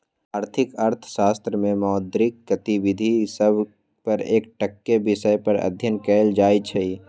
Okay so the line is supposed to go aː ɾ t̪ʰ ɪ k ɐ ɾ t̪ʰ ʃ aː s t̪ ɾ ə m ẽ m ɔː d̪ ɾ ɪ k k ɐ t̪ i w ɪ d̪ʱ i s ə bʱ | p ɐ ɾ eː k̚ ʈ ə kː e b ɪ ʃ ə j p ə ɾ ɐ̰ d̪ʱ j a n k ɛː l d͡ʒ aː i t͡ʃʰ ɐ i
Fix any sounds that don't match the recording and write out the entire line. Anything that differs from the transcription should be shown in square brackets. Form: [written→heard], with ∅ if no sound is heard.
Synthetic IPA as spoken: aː ɾ t̪ʰ ɪ k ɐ ɾ t̪ʰ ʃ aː s t̪ ɾ ə m ẽ m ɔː d̪ ɾ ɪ k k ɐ t̪ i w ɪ d̪ʱ i s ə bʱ | p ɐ ɾ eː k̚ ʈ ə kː e b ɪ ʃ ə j p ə ɾ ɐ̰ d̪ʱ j [a→ə] n k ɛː l d͡ʒ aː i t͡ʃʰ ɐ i